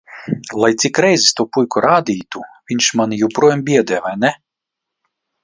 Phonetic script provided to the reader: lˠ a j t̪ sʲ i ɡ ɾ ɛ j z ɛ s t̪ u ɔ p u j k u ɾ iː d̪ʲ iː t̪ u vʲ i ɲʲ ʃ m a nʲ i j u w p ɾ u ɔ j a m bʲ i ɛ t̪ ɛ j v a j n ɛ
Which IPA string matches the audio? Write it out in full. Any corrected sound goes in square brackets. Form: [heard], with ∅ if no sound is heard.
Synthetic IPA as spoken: lˠ a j t̪ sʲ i [k] ɾ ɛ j z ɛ s t̪ u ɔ p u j k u ɾ [aː] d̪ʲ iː t̪ u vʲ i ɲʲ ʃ m a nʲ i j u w p ɾ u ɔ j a m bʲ i ɛ [d̪] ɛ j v a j n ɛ